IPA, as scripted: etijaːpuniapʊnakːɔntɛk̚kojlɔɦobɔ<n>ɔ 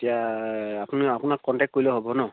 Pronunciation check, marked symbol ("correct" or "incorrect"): correct